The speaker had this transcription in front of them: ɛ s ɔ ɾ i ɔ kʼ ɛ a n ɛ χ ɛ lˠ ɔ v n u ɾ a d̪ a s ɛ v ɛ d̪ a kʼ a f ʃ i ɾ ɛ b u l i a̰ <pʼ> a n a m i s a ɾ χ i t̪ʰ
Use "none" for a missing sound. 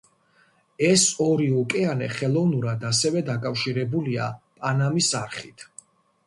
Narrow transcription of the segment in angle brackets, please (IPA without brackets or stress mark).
pʼ